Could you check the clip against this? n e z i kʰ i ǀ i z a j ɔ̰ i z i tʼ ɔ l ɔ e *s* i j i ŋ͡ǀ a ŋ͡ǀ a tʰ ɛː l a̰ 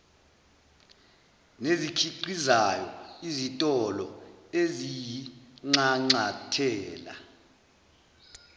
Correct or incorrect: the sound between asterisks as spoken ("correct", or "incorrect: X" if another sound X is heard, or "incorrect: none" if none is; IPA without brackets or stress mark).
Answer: incorrect: z